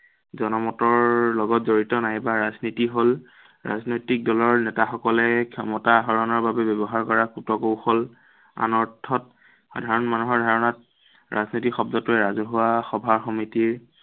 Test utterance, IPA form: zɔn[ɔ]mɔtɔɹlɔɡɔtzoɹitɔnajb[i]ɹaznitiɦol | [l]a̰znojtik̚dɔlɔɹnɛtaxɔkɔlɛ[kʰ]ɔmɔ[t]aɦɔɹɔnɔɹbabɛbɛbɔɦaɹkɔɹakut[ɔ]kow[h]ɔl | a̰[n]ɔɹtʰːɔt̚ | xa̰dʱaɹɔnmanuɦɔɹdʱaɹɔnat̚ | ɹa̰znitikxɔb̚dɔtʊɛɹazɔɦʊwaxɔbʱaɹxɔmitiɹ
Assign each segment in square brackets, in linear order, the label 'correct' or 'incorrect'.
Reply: correct, incorrect, incorrect, correct, correct, correct, incorrect, correct

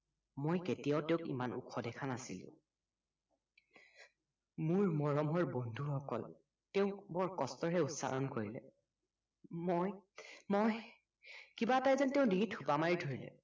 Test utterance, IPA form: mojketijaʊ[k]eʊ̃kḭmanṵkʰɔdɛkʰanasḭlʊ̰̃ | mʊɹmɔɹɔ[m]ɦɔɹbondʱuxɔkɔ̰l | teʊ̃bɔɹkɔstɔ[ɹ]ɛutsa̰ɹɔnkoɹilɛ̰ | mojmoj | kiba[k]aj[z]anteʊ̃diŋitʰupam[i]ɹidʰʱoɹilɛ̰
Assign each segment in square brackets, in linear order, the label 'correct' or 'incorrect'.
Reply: incorrect, correct, correct, incorrect, correct, incorrect

